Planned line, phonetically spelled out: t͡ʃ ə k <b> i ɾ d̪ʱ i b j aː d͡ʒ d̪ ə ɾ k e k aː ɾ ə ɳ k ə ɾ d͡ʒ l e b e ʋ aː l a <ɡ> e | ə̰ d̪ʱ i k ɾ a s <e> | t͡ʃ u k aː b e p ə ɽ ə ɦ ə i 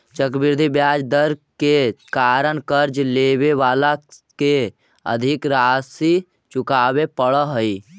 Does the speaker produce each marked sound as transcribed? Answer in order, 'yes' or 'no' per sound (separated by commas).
yes, no, no